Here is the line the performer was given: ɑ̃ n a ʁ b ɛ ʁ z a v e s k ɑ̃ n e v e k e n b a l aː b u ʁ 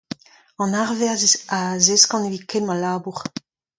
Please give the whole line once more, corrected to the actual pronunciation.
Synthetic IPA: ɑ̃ n a ʁ v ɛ ʁ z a z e s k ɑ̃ n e v i k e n m a l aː b u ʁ